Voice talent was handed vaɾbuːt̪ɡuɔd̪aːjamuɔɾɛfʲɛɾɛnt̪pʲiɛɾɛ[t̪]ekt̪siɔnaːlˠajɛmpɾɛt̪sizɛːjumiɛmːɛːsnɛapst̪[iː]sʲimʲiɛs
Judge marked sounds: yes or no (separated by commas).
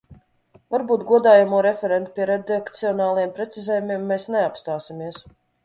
no, no